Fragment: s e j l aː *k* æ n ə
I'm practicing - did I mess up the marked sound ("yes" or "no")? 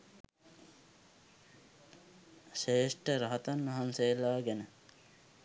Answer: yes